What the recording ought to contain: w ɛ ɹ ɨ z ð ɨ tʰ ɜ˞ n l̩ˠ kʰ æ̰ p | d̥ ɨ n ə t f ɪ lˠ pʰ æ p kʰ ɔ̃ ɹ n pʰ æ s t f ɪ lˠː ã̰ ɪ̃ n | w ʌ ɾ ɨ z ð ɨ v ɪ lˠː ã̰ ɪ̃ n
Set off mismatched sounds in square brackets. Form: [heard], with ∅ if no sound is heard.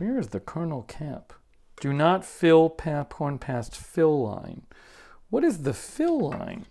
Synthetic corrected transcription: w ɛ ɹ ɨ z ð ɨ [kʰ] ɜ˞ n l̩ˠ kʰ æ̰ p | d̥ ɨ n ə t f ɪ lˠ pʰ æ p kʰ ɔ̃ ɹ n pʰ æ s t f ɪ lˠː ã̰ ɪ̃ n | w ʌ ɾ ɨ z ð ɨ [f] ɪ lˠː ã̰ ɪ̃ n